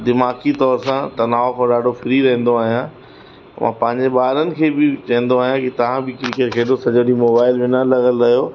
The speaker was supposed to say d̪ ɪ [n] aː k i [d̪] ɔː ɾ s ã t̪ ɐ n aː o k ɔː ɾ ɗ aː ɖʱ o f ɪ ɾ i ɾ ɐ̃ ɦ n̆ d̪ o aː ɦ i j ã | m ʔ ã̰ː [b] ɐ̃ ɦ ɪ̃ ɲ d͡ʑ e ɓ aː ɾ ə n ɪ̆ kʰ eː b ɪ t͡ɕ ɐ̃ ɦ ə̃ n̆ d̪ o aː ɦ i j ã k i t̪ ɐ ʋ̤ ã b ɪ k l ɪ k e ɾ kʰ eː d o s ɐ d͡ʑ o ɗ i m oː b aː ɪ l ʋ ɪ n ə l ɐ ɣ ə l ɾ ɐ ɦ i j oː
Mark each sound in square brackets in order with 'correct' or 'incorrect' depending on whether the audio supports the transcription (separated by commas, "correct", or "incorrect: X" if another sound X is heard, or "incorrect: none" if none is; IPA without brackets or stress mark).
incorrect: m, incorrect: t̪, incorrect: p